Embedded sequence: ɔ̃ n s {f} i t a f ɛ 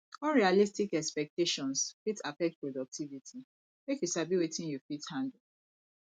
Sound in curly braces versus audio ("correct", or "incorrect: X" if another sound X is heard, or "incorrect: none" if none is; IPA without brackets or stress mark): correct